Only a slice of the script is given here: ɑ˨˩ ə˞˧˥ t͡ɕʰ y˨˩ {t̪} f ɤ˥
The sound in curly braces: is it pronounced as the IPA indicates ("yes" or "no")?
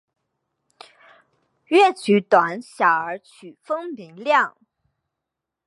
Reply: no